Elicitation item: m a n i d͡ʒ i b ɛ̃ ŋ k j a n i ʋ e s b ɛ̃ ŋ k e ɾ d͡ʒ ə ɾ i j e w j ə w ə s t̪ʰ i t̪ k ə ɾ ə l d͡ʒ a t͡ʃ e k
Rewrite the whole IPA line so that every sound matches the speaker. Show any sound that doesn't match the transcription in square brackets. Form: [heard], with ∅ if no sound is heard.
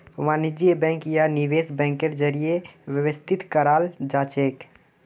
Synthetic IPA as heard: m a n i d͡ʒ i b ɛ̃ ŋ k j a n i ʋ e s b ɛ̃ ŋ k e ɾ d͡ʒ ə ɾ i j e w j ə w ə s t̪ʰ i t̪ k ə ɾ [a] l d͡ʒ a t͡ʃ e k